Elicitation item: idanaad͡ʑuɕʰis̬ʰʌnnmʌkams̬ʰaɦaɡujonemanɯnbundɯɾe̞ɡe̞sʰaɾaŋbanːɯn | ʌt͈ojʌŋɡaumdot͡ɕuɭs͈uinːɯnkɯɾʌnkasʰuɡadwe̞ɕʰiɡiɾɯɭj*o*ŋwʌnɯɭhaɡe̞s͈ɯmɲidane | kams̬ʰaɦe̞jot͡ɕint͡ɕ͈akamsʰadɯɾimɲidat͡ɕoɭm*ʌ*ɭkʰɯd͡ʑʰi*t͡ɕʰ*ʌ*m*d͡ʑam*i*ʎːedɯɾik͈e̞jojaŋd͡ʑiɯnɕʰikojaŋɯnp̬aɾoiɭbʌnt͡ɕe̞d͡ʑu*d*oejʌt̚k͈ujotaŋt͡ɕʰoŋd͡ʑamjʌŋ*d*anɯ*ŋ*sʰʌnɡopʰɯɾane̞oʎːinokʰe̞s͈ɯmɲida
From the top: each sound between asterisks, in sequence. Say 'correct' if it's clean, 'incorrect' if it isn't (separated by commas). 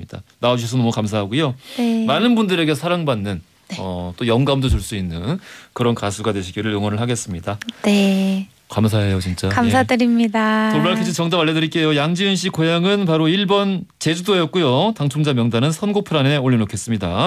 correct, incorrect, incorrect, incorrect, incorrect, correct, correct, incorrect